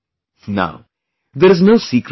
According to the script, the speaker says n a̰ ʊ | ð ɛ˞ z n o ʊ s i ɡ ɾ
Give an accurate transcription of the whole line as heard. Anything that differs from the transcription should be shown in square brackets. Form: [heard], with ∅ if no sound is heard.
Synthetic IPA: n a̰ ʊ | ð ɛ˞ z n o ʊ s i [k] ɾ